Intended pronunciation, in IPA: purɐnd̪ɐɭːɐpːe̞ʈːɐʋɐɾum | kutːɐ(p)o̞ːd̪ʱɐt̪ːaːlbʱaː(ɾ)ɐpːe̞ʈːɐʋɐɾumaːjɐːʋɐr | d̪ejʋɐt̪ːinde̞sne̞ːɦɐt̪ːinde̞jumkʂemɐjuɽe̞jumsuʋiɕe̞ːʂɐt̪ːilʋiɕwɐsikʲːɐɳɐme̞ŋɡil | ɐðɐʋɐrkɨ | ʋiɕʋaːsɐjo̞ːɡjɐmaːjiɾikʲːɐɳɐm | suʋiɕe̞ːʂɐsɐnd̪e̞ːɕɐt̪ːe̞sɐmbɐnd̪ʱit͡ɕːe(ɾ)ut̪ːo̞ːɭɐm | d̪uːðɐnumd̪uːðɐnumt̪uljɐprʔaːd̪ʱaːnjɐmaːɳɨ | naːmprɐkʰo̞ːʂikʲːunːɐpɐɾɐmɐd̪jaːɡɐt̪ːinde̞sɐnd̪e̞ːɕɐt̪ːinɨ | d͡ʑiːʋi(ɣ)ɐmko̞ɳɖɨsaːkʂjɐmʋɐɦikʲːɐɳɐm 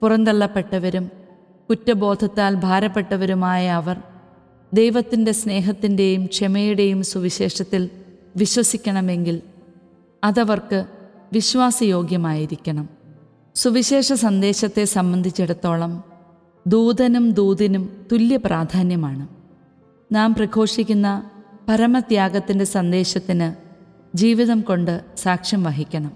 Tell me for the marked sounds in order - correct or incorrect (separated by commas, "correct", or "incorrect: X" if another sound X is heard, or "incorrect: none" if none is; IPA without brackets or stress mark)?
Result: incorrect: b, correct, incorrect: ɽ, incorrect: ð